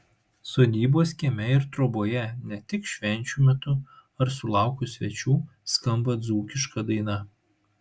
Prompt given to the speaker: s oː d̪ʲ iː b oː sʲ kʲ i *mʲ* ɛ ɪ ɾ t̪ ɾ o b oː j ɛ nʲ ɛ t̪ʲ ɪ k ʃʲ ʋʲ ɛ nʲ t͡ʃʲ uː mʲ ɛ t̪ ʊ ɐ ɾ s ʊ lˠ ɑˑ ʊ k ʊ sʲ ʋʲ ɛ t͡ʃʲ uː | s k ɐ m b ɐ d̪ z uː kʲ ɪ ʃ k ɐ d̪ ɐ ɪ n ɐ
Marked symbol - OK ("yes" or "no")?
yes